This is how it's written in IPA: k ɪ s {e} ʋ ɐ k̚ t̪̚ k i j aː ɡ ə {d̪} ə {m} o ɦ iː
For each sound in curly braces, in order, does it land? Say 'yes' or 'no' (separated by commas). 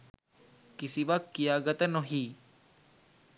no, no, no